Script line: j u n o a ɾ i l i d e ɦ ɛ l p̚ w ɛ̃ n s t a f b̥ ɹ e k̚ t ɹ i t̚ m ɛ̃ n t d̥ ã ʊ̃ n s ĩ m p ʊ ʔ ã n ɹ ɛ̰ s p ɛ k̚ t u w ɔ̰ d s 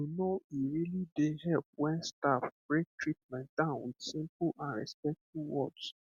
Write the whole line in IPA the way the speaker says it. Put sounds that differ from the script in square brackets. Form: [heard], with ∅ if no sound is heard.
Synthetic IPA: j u n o [i] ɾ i l i d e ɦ ɛ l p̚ w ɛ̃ n s t a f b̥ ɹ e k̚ t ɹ i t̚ m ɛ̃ n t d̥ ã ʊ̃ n s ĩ m p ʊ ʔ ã n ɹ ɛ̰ s p ɛ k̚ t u w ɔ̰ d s